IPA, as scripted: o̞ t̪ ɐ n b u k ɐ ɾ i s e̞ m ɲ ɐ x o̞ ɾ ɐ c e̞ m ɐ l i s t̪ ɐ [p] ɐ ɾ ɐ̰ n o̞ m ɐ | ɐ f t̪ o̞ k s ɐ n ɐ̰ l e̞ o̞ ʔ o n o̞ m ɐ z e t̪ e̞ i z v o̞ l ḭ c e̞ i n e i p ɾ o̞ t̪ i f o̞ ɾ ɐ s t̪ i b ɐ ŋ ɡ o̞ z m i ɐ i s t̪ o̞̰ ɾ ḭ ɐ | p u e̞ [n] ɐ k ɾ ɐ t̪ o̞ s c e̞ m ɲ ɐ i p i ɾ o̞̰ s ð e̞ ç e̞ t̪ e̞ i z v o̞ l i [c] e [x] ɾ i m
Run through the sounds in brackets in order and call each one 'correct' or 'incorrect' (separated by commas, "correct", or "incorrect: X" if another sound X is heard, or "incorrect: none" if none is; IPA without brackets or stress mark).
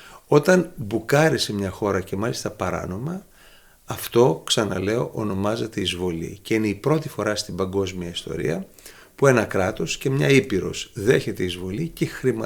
correct, correct, correct, correct